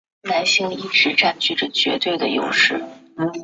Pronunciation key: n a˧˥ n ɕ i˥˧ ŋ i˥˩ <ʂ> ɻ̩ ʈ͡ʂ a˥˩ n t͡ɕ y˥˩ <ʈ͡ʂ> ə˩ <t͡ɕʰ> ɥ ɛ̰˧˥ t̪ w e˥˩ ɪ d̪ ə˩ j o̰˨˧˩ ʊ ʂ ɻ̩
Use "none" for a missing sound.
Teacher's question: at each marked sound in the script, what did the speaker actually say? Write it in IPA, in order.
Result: ʈ͡ʂ, ʈ͡ʂ, t͡ɕ

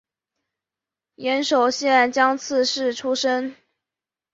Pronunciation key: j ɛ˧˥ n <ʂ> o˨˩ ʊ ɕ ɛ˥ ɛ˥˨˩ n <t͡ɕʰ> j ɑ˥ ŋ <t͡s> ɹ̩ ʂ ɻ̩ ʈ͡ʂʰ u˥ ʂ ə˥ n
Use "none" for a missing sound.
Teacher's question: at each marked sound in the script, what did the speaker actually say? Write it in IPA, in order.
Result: ʂ, t͡ɕ, t͡sʰ

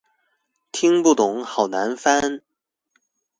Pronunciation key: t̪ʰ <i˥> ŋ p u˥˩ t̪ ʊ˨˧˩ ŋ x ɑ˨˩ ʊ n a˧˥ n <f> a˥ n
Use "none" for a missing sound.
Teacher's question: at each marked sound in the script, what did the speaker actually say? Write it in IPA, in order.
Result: i˥, f

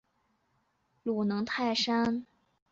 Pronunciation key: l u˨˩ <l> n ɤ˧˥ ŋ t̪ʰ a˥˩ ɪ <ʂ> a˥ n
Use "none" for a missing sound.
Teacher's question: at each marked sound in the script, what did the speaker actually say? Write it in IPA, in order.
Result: none, ʂ

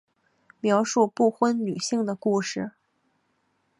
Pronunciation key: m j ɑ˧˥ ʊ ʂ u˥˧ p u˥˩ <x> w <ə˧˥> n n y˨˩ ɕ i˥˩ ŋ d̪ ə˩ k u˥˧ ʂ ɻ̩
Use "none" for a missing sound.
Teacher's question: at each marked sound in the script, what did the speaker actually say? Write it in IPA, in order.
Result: x, ə˥

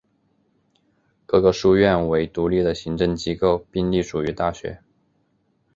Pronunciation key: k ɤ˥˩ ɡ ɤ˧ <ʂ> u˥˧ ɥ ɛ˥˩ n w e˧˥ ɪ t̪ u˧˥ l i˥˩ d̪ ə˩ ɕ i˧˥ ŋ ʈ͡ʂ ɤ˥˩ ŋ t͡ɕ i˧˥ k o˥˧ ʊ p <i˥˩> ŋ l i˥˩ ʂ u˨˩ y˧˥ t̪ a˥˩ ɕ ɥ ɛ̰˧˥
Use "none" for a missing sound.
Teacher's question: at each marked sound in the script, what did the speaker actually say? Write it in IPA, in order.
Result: ʂ, i˥˧

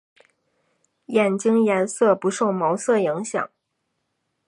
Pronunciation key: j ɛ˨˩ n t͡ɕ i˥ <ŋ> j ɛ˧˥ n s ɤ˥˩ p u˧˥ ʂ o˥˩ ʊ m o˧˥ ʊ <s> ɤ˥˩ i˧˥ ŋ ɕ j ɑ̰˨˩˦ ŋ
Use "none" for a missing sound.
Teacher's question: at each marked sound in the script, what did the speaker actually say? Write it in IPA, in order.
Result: ŋ, s

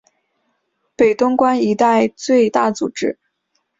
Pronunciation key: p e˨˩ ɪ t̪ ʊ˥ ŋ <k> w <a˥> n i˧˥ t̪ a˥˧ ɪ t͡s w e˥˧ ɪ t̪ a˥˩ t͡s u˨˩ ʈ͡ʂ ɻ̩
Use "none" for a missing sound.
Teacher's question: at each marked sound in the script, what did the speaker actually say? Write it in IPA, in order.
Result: k, a˥

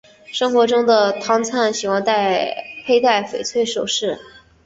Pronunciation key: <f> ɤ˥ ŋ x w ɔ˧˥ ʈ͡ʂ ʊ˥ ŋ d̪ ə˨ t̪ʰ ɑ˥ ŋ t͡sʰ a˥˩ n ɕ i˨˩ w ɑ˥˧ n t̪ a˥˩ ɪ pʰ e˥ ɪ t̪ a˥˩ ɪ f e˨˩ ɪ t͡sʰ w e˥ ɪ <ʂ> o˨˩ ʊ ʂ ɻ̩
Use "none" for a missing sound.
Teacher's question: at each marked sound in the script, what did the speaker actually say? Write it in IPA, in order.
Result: ʂ, ʂ

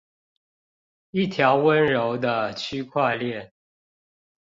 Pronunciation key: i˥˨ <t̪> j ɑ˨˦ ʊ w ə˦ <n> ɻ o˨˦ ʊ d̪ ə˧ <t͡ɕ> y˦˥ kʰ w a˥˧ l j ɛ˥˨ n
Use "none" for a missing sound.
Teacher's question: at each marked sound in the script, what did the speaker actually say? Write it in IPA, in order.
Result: t̪ʰ, n, t͡ɕʰ

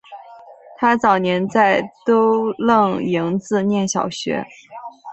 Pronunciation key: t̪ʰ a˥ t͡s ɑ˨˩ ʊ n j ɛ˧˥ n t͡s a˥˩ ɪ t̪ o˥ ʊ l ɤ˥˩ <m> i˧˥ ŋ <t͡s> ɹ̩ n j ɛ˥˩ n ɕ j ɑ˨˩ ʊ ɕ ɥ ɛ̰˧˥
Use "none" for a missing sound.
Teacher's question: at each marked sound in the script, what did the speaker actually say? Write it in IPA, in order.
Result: ŋ, t͡s

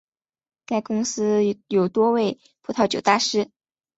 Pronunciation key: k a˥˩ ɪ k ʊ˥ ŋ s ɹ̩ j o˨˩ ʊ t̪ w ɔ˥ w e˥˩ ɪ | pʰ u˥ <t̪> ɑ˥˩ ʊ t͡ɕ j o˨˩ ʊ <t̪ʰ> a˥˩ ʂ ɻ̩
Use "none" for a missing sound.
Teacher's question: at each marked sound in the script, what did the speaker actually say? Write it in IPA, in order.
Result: t̪ʰ, t̪

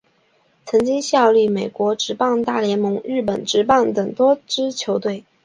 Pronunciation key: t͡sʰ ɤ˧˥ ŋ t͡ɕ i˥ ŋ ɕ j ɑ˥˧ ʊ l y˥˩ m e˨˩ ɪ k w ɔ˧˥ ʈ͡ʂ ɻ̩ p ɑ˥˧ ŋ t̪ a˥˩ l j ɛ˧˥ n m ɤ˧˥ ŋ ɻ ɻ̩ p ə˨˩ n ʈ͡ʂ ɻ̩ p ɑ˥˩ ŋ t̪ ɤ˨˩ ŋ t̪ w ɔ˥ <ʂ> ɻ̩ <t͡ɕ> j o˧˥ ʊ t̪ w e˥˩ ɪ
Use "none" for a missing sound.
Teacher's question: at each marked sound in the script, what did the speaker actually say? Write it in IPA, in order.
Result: ʈ͡ʂ, t͡ɕʰ

